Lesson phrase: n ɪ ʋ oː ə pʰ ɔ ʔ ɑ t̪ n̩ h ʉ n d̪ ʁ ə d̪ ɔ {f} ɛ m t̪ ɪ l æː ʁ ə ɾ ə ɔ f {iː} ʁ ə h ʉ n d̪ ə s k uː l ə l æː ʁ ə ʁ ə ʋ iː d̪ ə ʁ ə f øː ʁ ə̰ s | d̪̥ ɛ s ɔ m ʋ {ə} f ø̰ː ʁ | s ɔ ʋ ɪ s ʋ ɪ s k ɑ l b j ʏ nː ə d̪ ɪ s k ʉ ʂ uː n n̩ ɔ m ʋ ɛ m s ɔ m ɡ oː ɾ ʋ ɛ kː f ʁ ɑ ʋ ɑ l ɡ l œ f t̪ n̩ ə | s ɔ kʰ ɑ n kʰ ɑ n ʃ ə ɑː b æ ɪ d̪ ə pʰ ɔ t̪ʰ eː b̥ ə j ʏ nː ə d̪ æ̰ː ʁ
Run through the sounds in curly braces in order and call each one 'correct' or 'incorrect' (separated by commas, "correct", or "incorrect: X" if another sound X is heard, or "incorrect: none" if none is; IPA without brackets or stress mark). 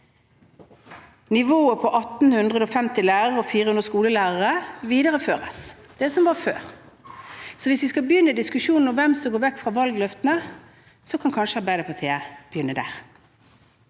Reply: correct, correct, incorrect: ɑ